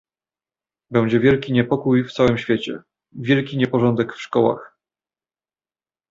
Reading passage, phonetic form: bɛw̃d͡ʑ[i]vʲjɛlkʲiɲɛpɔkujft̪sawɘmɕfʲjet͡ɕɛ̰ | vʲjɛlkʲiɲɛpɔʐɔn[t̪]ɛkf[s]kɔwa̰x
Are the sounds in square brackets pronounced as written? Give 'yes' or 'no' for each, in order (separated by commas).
no, no, no